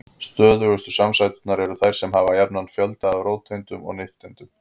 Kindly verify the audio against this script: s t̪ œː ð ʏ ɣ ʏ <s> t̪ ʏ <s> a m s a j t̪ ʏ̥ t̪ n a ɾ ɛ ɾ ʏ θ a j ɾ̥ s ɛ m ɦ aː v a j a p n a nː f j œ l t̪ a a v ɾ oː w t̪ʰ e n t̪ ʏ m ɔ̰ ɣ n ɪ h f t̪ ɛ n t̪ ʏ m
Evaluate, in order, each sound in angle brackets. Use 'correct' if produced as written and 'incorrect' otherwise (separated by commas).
correct, correct